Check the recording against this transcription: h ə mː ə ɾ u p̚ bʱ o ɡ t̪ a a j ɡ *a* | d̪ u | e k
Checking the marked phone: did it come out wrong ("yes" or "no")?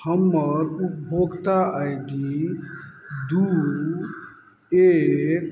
yes